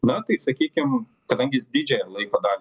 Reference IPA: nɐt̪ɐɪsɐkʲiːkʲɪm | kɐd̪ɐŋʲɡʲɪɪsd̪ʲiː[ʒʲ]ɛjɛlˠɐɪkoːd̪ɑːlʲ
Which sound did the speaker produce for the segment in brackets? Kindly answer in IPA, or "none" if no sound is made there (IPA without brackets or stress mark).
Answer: d͡ʒʲ